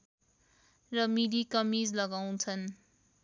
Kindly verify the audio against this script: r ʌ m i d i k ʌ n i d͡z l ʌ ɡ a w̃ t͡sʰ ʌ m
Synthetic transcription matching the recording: r ʌ m i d i k ʌ m i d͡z l ʌ ɡ a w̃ t͡sʰ ʌ n